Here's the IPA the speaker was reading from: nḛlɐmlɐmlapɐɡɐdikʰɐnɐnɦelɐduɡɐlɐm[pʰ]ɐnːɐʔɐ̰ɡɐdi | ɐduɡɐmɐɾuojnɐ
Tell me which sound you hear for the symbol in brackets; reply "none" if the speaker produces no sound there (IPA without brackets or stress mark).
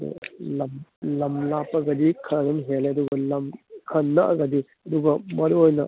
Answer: kʰ